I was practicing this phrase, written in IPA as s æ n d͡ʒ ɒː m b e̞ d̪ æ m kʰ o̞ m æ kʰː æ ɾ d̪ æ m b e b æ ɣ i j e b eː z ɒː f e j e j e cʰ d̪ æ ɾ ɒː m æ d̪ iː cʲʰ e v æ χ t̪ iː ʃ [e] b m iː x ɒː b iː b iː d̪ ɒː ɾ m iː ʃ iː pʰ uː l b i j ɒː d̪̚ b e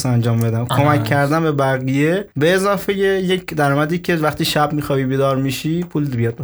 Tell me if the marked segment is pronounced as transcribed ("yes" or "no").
no